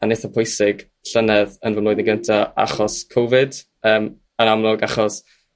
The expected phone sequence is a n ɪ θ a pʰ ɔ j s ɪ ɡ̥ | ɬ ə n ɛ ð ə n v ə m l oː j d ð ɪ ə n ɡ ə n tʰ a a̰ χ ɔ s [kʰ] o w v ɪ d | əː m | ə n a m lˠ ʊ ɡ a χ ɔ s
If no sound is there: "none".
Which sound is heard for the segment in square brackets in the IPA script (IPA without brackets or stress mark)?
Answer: kʰ